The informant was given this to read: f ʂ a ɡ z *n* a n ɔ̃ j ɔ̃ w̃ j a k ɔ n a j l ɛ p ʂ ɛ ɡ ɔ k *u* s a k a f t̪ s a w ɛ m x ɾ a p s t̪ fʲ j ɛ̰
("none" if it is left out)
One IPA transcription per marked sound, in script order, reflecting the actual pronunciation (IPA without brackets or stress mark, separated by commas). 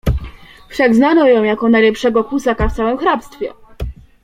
n, u